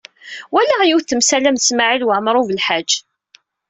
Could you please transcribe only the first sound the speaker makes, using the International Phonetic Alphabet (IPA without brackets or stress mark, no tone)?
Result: w